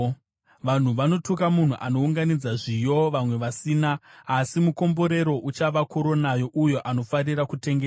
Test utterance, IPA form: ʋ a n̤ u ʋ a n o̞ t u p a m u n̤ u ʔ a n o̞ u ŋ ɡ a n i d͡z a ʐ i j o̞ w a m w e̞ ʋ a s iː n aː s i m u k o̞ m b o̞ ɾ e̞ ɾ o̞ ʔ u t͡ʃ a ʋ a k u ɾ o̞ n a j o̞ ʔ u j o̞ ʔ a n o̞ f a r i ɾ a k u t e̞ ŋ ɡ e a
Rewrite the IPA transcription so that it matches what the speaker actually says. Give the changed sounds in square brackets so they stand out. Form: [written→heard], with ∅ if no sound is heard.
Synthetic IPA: ʋ a n̤ u ʋ a n o̞ t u [p→k] a m u n̤ u ʔ a n o̞ u ŋ ɡ a n i d͡z a ʐ i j o̞ [w→ʋ] a m w e̞ ʋ a s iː n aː s i m u k o̞ m b o̞ ɾ e̞ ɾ o̞ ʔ u t͡ʃ a ʋ a k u ɾ o̞ n a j o̞ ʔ u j o̞ ʔ a n o̞ f a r i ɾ a k u t e̞ ŋ ɡ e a